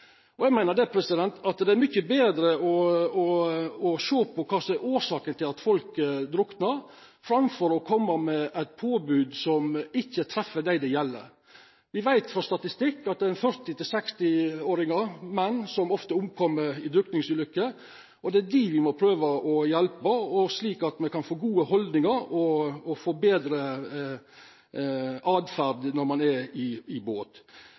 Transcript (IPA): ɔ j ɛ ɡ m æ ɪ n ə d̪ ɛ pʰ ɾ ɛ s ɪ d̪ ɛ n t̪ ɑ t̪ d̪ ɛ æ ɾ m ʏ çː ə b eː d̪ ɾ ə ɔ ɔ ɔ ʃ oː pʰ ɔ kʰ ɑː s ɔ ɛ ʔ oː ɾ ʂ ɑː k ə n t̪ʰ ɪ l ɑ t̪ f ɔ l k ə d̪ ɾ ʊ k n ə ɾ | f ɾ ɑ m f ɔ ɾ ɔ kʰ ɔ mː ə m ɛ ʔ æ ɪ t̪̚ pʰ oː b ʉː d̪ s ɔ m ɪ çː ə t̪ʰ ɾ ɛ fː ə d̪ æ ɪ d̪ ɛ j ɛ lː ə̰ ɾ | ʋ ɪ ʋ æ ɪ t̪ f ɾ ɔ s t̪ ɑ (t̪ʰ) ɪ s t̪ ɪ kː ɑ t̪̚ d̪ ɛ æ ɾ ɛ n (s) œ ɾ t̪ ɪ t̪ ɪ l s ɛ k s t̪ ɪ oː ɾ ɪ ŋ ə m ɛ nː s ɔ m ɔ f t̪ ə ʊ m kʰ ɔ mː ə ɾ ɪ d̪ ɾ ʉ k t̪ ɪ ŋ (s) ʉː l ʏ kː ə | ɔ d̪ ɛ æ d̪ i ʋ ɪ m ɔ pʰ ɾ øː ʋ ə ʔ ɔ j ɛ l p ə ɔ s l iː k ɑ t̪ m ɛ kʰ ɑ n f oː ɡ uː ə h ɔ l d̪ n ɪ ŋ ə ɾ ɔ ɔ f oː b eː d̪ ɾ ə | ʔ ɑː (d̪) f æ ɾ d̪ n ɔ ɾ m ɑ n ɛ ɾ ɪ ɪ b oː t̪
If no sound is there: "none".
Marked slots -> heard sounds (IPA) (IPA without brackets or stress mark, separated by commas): t̪, f, s, d̪